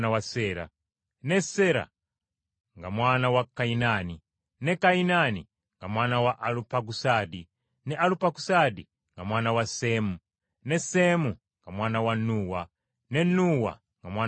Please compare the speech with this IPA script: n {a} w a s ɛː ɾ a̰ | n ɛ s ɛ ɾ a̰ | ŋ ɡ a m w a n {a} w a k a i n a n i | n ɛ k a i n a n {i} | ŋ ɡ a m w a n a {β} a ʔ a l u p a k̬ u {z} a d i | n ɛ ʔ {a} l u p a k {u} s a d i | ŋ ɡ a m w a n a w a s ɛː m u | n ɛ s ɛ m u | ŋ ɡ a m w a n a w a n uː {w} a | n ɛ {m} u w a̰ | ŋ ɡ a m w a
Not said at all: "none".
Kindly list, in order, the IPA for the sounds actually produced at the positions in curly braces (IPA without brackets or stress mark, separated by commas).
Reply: a, a, i, w, s, a, u, w, n